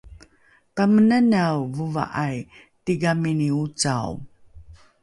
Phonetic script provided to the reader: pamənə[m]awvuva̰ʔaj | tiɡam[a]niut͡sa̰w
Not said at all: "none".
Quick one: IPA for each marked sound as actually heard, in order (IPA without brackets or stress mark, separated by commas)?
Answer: n, i